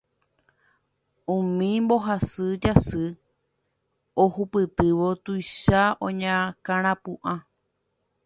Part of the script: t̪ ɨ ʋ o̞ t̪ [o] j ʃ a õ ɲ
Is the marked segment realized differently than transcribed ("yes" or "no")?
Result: yes